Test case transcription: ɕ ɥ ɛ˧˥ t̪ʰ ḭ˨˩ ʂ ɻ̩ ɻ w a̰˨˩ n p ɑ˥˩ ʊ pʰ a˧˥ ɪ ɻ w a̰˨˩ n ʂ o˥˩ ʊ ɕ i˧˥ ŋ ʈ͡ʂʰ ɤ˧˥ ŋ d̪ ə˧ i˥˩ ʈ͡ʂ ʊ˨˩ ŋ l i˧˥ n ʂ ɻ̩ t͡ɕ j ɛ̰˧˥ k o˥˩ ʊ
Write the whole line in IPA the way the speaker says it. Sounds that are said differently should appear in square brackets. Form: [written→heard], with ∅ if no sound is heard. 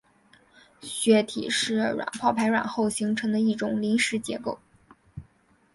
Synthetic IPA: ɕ ɥ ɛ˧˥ t̪ʰ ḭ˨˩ ʂ ɻ̩ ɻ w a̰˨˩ n [p→pʰ] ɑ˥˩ ʊ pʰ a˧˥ ɪ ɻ w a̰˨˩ n [ʂ→x] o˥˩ ʊ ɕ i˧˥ ŋ ʈ͡ʂʰ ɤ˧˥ ŋ d̪ ə˧ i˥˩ ʈ͡ʂ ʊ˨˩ ŋ l i˧˥ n ʂ ɻ̩ t͡ɕ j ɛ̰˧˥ k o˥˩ ʊ